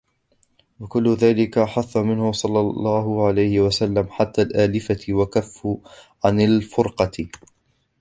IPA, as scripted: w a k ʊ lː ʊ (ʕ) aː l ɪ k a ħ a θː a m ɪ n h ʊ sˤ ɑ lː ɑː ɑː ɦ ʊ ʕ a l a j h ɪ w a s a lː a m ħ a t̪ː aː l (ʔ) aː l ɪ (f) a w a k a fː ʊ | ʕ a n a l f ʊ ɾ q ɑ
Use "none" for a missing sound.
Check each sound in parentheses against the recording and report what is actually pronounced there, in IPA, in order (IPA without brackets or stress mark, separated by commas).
ð, ʔ, f